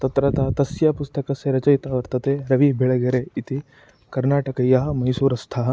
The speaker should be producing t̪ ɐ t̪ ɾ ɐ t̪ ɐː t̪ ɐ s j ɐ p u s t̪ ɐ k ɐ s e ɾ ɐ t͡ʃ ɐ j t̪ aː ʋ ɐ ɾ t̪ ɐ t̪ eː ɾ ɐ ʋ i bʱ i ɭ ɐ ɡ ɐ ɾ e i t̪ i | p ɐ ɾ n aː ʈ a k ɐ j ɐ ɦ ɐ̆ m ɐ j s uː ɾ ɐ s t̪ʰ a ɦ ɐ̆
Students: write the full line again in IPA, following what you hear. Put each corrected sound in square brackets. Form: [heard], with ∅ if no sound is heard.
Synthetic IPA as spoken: t̪ ɐ t̪ ɾ ɐ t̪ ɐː t̪ ɐ s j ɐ p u s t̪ ɐ k ɐ s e ɾ ɐ t͡ʃ ɐ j t̪ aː ʋ ɐ ɾ t̪ ɐ t̪ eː ɾ ɐ ʋ i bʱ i ɭ ɐ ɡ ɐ ɾ e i t̪ i | [k] ɐ ɾ n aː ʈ [ɐ] k ɐ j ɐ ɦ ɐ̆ m ɐ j s uː ɾ ɐ s t̪ʰ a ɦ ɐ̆